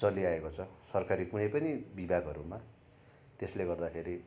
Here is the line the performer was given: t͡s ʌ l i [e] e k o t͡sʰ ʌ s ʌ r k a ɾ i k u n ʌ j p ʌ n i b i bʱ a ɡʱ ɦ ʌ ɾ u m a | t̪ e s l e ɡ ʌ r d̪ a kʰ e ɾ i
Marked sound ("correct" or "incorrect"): incorrect